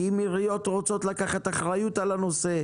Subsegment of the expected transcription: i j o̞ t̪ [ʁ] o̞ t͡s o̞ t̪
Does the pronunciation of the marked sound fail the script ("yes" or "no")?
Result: no